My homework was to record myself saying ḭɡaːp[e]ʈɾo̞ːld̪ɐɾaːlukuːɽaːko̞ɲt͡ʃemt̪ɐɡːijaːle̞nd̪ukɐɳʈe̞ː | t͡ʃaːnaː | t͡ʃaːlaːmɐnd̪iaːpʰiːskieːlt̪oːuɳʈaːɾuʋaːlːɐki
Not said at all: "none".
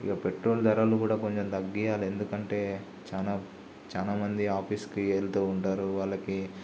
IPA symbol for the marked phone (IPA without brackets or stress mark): e